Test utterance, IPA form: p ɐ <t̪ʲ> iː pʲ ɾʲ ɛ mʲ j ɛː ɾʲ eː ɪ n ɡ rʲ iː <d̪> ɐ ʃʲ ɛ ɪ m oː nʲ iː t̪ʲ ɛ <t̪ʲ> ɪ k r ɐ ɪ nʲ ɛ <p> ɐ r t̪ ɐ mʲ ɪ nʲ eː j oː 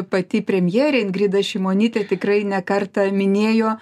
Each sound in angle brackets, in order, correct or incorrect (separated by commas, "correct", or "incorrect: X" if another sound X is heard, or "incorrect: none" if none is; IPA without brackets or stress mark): correct, correct, correct, incorrect: k